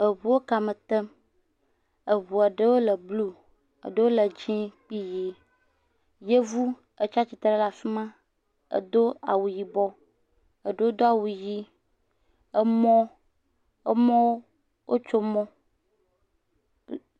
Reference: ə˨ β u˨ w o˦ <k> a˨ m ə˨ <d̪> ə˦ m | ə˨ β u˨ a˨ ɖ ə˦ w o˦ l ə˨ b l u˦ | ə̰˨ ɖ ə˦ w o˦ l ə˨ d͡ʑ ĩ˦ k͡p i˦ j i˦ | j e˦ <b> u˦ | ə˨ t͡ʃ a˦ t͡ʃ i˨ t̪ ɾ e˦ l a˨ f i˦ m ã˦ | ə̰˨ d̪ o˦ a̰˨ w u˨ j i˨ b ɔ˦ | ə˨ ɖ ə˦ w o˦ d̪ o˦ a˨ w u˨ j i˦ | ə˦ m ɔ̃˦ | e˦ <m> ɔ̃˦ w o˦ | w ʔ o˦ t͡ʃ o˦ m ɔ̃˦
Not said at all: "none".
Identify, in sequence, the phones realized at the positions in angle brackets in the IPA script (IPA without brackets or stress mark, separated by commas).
k, t̪, v, m